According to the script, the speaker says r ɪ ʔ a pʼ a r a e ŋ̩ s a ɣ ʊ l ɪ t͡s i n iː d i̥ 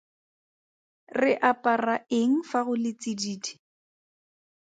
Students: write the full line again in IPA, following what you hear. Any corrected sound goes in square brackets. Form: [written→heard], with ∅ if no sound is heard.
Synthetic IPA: r ɪ ʔ a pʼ a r a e ŋ̩ [s→f] a ɣ ʊ l ɪ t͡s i [n→d] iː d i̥